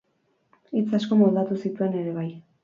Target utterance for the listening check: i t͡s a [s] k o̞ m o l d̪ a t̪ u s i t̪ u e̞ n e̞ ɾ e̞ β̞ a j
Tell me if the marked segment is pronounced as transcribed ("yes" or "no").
yes